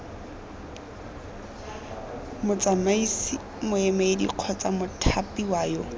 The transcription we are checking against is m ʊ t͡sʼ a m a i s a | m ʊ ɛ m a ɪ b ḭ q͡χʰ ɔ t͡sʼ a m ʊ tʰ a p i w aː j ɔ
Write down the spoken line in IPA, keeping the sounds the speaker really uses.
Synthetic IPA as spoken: m ʊ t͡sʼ a m a i s i | m ʊ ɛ m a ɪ d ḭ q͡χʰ ɔ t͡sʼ a m ʊ tʰ a p i w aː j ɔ